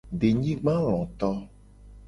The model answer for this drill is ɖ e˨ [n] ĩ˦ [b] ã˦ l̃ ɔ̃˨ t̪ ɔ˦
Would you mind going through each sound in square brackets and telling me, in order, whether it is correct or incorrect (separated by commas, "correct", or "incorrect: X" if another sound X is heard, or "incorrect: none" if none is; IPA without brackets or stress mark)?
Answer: incorrect: ɲ, incorrect: ɡ͡b